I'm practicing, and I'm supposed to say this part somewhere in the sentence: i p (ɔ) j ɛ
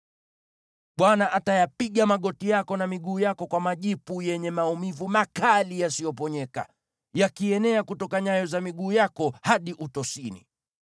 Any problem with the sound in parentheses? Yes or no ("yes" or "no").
yes